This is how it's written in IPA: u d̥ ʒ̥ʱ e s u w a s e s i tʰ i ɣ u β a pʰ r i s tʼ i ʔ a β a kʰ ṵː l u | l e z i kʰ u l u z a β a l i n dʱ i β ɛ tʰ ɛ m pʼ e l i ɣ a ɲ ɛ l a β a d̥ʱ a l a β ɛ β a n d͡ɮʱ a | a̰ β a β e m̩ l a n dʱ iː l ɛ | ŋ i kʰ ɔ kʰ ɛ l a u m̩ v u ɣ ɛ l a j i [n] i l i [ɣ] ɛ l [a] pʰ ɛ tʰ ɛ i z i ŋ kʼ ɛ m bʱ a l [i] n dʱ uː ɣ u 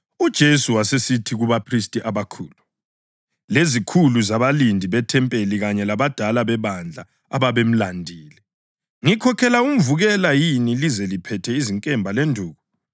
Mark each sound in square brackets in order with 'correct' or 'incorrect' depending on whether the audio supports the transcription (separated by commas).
correct, incorrect, incorrect, incorrect